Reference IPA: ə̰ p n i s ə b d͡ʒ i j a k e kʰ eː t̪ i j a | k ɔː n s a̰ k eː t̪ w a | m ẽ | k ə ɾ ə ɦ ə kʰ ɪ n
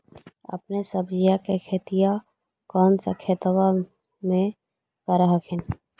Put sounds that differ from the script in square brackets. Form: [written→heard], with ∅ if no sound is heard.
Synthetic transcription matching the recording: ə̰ p n [i→e] s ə b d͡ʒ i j a k e kʰ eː t̪ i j a | k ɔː n s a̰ [k→kʰ] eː t̪ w a | m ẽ | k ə ɾ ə ɦ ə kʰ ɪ n